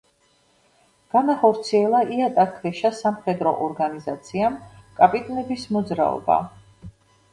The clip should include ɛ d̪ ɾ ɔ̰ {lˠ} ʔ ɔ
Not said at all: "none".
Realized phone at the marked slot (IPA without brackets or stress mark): none